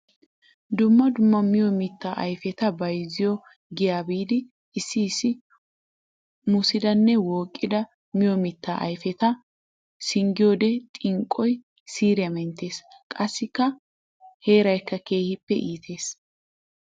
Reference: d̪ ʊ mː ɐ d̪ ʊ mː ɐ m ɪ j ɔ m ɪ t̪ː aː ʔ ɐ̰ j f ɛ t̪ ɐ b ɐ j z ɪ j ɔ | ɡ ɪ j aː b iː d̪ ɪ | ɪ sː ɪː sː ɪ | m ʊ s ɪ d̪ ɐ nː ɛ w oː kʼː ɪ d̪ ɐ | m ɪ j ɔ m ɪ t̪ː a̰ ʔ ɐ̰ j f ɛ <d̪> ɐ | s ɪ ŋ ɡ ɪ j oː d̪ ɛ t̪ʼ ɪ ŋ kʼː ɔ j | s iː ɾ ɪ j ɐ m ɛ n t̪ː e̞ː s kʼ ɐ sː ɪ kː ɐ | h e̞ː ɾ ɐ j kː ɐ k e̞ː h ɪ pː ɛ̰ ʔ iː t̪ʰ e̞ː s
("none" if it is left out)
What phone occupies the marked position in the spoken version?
t̪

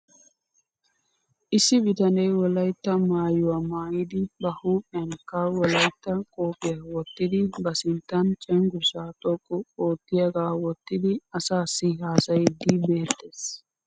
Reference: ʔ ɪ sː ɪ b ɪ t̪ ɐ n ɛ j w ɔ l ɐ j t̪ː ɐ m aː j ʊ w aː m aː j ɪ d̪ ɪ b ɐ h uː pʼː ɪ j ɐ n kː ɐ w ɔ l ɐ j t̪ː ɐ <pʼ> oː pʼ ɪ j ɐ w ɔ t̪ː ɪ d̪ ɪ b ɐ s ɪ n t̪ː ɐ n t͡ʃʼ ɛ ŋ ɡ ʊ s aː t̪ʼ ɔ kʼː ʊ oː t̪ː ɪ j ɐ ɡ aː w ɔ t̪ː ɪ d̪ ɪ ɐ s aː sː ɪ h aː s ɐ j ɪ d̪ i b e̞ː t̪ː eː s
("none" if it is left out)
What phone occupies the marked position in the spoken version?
kʼ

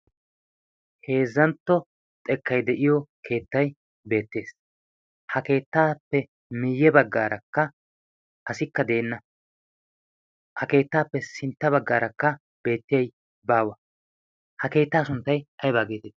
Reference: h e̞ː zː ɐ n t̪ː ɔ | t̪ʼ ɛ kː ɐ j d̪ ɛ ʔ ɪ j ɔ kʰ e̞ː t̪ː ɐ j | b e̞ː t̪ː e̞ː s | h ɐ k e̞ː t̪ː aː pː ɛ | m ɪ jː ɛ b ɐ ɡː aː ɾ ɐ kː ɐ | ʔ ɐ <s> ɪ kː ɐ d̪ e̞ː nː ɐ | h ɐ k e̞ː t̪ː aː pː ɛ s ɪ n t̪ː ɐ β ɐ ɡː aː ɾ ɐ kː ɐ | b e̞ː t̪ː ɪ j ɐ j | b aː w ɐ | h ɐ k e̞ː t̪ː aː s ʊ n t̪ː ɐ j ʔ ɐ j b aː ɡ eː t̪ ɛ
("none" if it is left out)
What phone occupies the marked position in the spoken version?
s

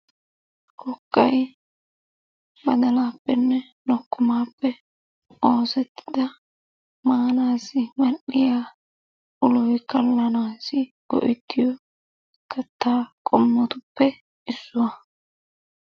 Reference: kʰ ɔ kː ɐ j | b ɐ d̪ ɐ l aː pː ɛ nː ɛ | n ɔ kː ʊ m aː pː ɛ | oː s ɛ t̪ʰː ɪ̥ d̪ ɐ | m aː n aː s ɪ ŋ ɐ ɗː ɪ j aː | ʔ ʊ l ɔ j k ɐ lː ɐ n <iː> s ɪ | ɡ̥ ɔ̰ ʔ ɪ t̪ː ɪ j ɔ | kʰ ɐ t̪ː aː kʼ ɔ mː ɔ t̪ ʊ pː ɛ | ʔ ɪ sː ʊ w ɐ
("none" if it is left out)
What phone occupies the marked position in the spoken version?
aː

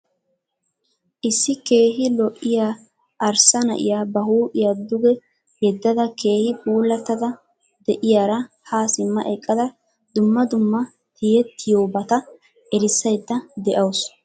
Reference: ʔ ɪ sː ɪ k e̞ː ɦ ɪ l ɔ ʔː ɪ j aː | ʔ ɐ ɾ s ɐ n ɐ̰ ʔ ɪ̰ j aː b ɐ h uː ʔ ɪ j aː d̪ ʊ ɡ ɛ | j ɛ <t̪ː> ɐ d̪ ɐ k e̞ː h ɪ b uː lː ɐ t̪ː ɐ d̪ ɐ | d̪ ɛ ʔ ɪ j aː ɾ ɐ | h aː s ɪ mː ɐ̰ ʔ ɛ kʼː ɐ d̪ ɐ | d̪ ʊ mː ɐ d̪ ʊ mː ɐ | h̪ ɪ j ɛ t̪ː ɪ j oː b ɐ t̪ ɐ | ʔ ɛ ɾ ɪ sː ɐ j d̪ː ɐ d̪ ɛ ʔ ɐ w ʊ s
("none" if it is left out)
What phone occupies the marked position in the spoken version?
d̪ː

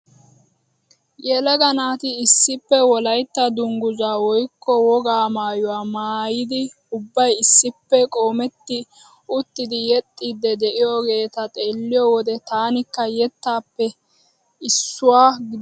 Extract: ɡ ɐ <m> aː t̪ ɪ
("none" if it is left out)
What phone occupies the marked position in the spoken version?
n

